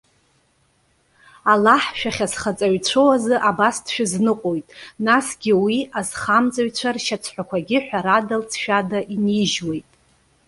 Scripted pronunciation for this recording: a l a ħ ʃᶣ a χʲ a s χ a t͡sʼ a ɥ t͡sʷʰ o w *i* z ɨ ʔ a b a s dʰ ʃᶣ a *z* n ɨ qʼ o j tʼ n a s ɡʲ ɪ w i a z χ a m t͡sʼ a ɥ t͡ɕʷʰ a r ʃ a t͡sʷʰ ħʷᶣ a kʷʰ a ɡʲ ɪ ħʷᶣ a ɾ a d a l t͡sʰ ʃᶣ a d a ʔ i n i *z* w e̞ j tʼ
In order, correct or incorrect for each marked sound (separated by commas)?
incorrect, correct, incorrect